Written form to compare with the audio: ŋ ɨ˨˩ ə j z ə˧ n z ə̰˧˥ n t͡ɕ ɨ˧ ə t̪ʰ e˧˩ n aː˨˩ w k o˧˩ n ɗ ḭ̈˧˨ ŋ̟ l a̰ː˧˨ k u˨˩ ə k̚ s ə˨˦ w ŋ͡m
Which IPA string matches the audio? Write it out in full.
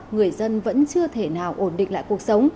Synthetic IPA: ŋ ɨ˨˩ ə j z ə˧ n v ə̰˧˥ n t͡ɕ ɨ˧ ə t̪ʰ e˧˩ n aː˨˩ w ʔ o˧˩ n ɗ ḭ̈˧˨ ŋ̟ l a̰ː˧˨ k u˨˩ ə k̚ s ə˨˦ w ŋ͡m

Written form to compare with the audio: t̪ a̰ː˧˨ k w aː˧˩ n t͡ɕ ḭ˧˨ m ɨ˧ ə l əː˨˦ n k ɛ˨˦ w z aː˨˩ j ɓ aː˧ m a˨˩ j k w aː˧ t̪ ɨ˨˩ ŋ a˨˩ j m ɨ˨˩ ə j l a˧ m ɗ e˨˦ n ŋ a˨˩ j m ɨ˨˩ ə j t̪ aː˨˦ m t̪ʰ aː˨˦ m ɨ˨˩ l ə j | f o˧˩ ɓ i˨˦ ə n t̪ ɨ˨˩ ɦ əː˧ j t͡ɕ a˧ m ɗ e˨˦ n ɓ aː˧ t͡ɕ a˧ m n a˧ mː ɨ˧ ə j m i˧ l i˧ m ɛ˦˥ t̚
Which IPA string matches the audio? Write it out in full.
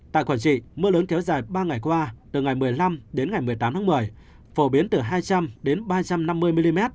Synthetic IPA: t̪ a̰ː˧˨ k w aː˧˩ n t͡ɕ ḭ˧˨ m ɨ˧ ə l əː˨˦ n k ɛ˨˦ w z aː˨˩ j ɓ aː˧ ŋ a˨˩ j k w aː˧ t̪ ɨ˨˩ ŋ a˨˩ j m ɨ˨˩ ə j l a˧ m ɗ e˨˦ n ŋ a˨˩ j m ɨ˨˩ ə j t̪ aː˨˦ m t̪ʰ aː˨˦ m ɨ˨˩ ə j | f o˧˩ ɓ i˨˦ ə n t̪ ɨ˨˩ ɦ aː˧ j t͡ɕ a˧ m ɗ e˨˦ n ɓ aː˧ t͡ɕ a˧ m n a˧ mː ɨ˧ ə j m i˧ l i˧ m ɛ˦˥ t̚

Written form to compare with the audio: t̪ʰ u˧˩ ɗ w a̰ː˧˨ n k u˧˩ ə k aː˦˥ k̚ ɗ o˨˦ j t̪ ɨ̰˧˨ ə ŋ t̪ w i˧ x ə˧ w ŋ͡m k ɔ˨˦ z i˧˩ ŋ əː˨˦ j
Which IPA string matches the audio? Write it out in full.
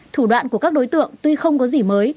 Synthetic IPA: t̪ʰ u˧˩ ɗ w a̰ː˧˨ n k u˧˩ ə k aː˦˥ k̚ ɗ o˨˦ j t̪ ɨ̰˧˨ ə ŋ t̪ w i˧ x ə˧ w ŋ͡m k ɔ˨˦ z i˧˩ m əː˨˦ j

